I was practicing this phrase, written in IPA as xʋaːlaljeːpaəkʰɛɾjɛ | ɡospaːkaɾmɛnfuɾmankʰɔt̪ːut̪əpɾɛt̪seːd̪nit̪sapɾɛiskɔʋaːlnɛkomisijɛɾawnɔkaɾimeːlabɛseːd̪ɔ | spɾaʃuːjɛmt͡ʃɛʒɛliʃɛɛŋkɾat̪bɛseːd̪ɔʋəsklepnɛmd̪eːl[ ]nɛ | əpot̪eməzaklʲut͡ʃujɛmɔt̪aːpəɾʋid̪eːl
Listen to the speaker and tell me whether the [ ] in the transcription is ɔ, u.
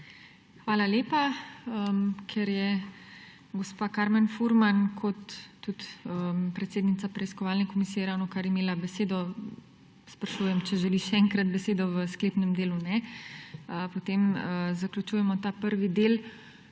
u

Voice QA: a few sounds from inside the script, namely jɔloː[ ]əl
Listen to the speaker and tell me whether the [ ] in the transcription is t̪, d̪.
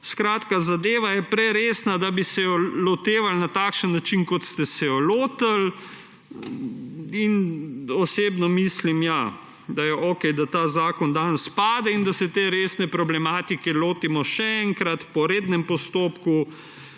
t̪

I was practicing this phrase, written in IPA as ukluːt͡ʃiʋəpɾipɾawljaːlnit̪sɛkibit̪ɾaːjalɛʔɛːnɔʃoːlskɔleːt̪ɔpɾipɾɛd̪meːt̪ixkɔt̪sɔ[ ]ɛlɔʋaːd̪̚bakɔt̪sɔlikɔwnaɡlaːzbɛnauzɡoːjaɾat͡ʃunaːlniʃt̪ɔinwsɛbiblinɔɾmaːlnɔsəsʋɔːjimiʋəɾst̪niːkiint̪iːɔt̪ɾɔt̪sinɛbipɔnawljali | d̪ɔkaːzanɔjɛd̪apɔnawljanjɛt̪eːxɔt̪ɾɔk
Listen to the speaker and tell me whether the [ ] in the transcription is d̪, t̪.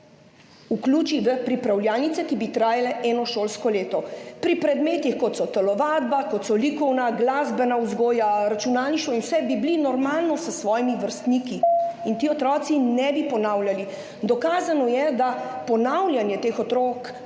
t̪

